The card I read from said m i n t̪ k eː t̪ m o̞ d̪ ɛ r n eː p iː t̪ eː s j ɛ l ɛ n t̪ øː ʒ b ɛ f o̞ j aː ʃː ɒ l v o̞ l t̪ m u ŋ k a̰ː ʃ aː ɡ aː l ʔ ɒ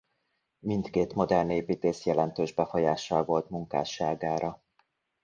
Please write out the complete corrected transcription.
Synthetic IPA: m i n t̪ k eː t̪ m o̞ d̪ ɛ r n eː p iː t̪ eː s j ɛ l ɛ n t̪ øː ʒ b ɛ f o̞ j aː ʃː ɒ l v o̞ l t̪ m u ŋ k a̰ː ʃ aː ɡ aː ɾ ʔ ɒ